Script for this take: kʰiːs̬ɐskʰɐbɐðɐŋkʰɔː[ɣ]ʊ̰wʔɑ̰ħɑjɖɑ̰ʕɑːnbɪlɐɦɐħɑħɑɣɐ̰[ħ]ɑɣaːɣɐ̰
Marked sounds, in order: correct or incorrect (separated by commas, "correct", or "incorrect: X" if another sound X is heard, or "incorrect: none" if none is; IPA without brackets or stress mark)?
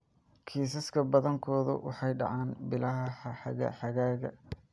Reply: incorrect: ð, correct